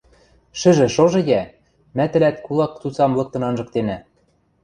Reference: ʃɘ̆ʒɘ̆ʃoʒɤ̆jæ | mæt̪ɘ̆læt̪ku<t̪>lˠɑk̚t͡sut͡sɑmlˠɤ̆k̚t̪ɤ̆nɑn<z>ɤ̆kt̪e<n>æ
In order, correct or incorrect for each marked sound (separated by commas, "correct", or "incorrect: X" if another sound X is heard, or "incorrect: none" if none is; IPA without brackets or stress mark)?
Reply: incorrect: none, incorrect: ʒ, correct